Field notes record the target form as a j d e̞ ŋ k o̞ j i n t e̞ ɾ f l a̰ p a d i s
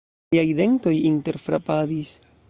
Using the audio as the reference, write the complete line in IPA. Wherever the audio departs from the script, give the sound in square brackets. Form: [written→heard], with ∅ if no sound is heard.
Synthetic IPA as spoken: a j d e̞ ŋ [k→t] o̞ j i n t e̞ ɾ f [l→ɾ] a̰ p a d i s